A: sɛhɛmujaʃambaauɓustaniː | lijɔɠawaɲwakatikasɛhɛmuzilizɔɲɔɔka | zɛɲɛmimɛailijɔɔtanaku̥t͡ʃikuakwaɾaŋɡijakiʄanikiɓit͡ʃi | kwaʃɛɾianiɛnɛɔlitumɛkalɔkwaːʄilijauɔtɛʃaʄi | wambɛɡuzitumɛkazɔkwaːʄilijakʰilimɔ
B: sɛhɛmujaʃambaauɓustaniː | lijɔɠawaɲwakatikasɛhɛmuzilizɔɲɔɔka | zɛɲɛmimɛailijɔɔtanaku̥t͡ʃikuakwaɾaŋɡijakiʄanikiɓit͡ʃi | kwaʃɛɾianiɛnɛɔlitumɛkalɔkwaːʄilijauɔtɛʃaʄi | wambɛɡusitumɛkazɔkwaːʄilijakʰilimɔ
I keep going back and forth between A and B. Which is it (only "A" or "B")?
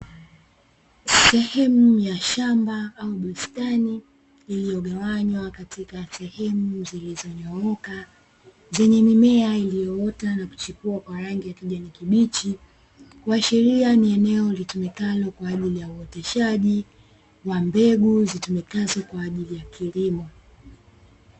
A